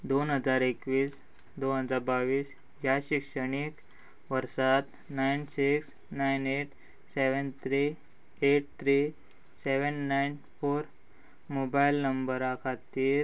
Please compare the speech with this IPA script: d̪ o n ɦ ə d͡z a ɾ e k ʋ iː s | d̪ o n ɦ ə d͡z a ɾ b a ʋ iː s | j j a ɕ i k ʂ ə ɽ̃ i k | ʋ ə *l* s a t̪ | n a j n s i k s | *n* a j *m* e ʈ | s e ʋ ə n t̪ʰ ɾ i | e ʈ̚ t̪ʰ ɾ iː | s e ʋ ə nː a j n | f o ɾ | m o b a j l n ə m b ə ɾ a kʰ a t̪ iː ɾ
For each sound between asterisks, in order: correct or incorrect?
incorrect: ɾ, correct, incorrect: n

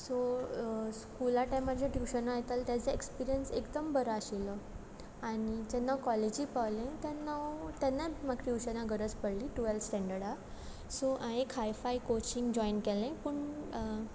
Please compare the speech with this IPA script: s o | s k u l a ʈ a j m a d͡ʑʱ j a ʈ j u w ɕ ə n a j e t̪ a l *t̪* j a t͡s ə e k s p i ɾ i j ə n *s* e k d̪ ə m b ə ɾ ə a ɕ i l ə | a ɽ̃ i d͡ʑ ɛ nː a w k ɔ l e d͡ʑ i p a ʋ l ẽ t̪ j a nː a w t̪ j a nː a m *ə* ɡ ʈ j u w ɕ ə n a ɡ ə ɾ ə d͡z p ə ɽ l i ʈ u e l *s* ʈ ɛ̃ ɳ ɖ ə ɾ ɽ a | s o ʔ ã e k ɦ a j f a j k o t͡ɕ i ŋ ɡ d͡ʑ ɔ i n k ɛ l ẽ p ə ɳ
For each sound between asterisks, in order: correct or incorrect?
correct, correct, incorrect: a, correct

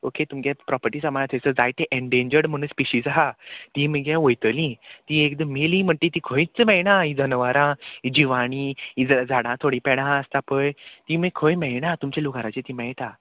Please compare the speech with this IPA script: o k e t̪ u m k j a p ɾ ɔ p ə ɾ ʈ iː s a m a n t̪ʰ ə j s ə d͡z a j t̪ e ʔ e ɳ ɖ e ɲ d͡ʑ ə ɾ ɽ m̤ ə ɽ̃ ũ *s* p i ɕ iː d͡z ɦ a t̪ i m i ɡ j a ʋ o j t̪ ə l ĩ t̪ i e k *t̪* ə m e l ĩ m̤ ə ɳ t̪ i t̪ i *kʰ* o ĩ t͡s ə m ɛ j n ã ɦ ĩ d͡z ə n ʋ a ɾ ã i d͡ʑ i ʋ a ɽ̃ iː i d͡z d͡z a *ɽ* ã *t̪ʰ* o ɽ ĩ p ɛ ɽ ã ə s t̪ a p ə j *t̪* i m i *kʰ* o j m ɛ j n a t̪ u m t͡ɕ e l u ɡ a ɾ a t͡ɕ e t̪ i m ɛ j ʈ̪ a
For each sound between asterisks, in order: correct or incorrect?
correct, incorrect: d̪, correct, correct, correct, correct, correct

